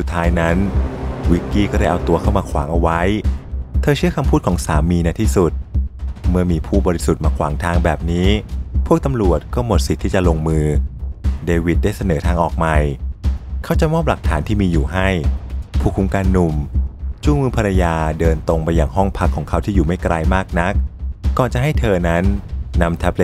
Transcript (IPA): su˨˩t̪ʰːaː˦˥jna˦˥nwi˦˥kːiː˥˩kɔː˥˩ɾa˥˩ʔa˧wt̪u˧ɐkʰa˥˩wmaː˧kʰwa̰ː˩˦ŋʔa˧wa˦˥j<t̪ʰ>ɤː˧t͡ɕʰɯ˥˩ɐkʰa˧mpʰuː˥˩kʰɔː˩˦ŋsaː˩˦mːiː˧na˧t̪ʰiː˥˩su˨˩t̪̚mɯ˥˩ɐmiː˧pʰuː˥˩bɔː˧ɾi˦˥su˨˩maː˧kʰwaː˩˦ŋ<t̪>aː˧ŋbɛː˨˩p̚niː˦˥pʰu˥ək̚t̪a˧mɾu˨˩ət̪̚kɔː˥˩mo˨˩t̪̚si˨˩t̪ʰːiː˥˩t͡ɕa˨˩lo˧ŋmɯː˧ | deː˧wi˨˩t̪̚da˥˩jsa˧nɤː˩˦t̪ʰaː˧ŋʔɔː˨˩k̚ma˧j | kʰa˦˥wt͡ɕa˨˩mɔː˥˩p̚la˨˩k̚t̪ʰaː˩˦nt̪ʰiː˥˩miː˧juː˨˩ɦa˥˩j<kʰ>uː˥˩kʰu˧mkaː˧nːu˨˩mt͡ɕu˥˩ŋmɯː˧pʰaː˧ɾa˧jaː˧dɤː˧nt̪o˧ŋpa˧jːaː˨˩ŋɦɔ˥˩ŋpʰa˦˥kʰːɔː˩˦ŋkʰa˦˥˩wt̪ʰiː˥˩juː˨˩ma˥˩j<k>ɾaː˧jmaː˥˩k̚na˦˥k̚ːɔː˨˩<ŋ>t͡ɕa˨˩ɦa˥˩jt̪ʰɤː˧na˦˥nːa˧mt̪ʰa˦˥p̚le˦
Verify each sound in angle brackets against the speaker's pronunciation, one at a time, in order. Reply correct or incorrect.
correct, incorrect: t̪ʰ, incorrect: pʰ, correct, incorrect: n

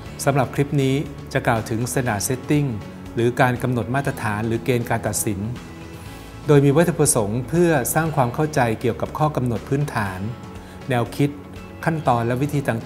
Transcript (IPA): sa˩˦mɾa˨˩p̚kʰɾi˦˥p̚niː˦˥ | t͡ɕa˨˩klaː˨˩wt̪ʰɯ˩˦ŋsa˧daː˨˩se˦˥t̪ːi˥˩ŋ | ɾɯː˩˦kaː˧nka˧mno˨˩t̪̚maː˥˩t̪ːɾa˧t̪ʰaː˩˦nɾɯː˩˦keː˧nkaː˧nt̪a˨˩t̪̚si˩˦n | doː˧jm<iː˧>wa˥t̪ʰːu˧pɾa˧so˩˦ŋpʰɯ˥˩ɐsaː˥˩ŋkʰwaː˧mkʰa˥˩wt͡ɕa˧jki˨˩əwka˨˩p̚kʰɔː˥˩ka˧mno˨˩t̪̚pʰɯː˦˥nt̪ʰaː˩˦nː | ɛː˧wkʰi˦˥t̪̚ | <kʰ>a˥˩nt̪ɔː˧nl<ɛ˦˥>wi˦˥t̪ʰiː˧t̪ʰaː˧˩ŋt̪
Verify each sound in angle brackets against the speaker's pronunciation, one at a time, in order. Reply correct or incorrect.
correct, correct, correct

